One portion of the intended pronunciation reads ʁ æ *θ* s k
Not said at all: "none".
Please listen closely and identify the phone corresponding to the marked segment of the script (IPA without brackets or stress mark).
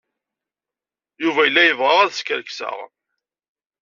ð